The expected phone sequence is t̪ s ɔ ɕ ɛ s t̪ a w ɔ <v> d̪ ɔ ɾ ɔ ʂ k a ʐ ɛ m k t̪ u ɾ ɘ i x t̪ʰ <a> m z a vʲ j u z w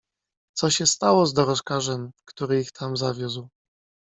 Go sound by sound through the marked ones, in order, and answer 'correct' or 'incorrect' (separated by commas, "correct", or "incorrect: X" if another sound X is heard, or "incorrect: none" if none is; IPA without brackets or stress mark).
incorrect: z, correct